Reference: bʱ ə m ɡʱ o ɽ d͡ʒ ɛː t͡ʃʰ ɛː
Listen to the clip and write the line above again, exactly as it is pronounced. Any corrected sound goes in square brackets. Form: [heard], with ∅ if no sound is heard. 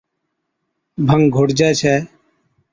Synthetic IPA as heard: bʱ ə [ŋ] ɡʱ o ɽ d͡ʒ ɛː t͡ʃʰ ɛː